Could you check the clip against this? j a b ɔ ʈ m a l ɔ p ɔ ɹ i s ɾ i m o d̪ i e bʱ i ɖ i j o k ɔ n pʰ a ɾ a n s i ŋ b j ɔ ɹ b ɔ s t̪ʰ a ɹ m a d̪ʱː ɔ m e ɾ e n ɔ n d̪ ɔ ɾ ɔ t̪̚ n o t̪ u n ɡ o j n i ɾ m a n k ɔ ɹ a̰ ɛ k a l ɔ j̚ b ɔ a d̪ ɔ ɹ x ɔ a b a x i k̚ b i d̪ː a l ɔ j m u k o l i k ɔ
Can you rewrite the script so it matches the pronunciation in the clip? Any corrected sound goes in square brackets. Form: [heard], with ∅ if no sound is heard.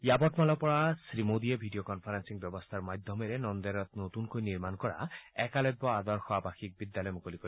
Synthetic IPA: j a b ɔ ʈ m a l ɔ p ɔ ɹ [a] s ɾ i m o d̪ i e bʱ i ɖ i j o k ɔ n pʰ a ɾ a n s i ŋ b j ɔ [∅] b ɔ s t̪ʰ a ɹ m a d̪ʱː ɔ m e ɾ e n ɔ n d̪ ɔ ɾ ɔ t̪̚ n o t̪ u n [k] o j n i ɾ m a n k ɔ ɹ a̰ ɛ k a l ɔ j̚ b ɔ a d̪ ɔ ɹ x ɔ a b a x i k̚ b i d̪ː a l ɔ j m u k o l i k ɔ